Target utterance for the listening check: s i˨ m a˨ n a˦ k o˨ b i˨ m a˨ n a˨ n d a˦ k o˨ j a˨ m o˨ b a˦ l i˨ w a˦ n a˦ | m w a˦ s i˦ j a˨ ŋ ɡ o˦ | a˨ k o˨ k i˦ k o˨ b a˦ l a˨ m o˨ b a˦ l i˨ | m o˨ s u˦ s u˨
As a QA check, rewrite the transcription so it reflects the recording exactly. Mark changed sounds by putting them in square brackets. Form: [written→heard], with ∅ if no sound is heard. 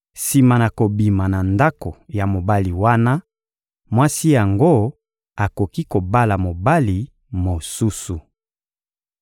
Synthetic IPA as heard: s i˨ m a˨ n [a˦→a˨] k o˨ b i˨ m a˨ n a˨ n d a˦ k o˨ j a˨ m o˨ b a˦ l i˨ w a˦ n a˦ | m w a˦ s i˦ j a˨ ŋ ɡ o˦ | a˨ k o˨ k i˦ k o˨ b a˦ l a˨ m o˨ b a˦ l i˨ | m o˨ s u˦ s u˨